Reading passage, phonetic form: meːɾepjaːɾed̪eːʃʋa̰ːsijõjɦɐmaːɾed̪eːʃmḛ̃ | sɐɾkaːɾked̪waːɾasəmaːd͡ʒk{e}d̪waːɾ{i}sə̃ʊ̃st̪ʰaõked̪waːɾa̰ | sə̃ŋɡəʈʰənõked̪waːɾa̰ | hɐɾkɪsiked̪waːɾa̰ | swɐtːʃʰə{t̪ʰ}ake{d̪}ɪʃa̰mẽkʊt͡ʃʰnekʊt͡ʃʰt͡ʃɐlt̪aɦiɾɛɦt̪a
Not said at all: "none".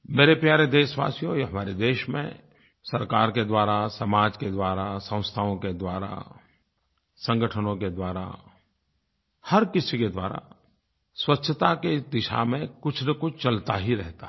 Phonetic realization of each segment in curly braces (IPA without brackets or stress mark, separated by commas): e, a, t̪, d̪